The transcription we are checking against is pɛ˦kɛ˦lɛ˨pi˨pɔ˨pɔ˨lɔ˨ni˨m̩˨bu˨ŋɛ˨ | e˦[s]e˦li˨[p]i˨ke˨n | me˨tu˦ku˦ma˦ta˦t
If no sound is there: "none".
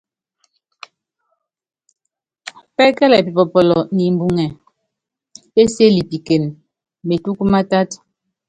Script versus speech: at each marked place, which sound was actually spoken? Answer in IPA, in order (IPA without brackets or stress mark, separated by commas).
s, p